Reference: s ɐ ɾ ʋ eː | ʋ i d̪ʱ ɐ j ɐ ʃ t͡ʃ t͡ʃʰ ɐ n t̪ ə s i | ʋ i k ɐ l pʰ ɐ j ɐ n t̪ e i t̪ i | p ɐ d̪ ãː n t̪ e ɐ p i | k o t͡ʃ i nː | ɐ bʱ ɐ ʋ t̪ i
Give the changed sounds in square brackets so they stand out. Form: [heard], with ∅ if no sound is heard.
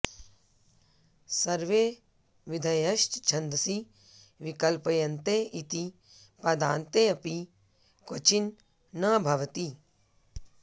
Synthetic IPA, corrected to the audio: s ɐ ɾ ʋ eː | ʋ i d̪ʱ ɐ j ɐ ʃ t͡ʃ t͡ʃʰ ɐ n [d̪] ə s i | ʋ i k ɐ l [p] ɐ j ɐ n t̪ e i t̪ i | p ɐ d̪ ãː n t̪ e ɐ p i | k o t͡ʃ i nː | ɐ bʱ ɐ ʋ t̪ i